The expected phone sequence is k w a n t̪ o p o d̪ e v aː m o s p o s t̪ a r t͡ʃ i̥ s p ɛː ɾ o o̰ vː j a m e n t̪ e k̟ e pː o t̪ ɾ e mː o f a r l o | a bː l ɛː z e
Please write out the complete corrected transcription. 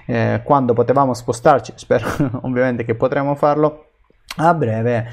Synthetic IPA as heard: k w a n d̪ o p o t̪ e v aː m o s p o s t̪ a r t͡ʃ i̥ s p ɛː ɾ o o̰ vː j a m e n t̪ e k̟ e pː o t̪ ɾ e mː o f a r l o | a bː ɾ ɛː v e